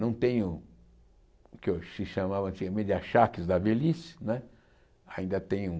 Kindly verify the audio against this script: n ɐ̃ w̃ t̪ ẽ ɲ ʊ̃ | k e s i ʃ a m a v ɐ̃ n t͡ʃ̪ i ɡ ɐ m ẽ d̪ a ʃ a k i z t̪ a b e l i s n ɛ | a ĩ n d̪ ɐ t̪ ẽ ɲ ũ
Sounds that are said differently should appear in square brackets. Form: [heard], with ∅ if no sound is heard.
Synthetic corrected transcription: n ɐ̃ w̃ t̪ ẽ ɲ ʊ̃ | k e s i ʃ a m a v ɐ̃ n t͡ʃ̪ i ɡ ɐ m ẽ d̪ a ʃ a k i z [d̪] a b e l i s n ɛ | a ĩ n d̪ ɐ t̪ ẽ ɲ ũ